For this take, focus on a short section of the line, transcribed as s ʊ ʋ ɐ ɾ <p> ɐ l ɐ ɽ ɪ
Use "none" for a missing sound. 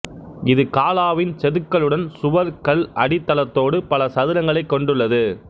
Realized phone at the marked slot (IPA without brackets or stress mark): k